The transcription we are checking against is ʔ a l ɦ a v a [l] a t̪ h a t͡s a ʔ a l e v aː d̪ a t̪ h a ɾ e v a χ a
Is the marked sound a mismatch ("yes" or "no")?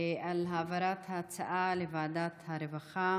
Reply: yes